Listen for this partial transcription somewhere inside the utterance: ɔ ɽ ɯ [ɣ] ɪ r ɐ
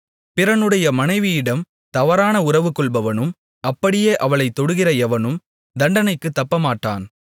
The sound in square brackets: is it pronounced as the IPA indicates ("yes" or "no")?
yes